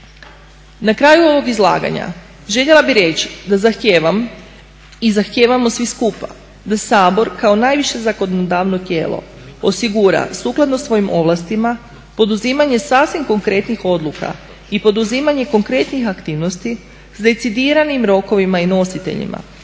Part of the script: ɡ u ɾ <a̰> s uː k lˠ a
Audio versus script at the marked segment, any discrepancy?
no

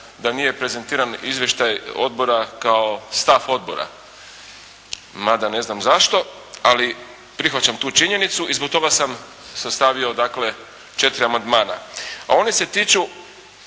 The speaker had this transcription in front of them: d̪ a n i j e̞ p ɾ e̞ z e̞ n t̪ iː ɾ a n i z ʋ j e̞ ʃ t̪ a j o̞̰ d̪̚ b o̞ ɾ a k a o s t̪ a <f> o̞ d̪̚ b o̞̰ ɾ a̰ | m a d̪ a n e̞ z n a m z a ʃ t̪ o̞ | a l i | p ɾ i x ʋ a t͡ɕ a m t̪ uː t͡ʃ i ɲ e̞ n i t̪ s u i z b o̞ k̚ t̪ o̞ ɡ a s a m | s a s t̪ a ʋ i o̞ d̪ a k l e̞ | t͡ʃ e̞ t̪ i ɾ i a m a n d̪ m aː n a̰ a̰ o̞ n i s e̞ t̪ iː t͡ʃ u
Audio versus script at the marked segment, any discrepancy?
no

